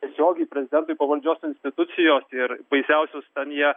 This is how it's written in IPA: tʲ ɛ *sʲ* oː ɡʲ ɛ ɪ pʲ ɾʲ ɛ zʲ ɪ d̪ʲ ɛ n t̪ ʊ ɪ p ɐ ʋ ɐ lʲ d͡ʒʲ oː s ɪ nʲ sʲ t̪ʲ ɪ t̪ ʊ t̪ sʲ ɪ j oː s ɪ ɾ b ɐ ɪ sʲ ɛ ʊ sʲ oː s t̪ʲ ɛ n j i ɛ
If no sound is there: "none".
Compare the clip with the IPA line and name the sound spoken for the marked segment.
sʲ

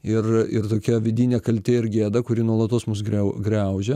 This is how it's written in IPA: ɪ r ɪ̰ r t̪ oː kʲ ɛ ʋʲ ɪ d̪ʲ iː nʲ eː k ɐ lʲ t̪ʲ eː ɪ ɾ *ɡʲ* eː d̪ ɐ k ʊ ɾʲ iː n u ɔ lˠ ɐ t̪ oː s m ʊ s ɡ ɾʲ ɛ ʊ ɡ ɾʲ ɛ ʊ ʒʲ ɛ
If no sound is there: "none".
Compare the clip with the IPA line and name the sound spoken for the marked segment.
ɡʲ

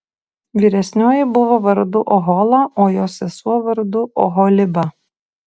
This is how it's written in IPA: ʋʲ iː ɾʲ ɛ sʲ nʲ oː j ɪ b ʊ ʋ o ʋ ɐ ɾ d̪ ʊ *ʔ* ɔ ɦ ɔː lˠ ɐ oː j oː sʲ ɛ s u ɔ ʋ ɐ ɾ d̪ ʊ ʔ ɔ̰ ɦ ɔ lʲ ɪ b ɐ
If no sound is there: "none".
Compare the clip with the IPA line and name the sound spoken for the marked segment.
ʔ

